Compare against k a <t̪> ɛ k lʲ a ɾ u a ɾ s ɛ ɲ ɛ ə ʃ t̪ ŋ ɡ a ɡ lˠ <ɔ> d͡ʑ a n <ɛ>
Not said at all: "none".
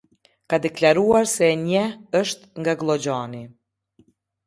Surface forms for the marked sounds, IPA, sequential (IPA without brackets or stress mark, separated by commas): d̪, ɔ, i